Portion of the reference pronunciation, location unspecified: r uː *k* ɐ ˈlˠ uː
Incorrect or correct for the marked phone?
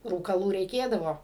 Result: correct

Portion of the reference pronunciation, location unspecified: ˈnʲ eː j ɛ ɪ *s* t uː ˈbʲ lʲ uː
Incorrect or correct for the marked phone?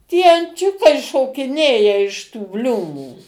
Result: incorrect: ʃ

